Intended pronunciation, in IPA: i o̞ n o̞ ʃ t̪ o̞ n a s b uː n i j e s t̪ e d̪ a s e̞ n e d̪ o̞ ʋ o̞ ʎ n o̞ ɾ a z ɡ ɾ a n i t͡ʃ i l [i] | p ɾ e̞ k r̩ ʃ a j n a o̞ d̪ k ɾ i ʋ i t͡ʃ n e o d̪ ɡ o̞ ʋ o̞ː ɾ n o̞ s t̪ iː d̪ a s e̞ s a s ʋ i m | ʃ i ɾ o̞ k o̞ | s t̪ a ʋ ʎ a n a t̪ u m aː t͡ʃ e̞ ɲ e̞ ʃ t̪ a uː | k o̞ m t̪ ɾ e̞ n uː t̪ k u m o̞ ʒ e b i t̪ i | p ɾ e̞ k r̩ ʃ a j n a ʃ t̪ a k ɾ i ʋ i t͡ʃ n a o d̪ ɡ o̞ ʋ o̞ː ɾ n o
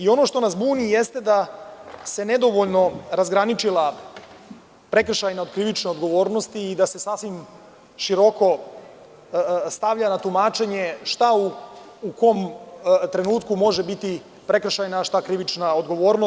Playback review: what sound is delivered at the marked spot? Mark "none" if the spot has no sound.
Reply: a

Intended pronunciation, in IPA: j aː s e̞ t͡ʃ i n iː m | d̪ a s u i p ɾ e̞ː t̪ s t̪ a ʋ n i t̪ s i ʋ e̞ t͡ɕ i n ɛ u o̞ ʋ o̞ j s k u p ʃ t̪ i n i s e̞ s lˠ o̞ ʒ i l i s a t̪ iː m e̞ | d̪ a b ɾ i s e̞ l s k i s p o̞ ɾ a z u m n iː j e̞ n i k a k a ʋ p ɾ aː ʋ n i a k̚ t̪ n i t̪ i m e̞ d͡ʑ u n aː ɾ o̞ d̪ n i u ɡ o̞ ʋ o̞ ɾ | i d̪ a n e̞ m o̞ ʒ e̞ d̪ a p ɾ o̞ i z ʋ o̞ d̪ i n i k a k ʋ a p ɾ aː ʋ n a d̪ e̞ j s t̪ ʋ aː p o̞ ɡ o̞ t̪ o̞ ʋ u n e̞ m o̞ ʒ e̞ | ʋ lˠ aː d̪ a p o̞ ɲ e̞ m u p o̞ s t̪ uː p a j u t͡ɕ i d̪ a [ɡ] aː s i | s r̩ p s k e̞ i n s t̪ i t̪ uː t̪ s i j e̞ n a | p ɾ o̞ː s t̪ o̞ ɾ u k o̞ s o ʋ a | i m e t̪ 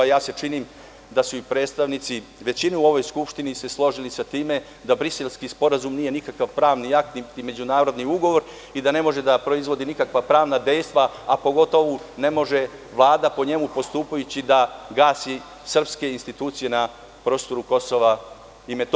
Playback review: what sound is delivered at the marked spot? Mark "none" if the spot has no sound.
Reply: ɡ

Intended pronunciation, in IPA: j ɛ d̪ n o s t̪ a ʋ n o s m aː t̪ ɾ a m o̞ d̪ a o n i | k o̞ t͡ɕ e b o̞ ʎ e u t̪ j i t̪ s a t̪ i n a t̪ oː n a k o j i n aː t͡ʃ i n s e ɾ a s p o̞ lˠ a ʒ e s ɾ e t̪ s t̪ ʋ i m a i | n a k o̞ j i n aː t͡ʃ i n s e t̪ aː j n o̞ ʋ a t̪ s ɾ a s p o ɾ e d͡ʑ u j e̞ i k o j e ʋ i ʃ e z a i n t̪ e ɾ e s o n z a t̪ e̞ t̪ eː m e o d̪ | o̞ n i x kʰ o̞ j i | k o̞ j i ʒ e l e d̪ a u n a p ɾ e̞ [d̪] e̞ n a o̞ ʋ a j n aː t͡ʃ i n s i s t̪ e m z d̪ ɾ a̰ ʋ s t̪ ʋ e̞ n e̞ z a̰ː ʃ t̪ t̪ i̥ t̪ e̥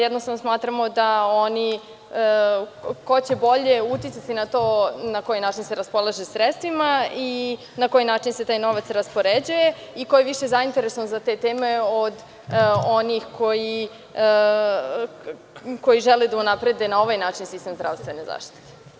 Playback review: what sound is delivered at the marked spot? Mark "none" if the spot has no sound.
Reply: d̪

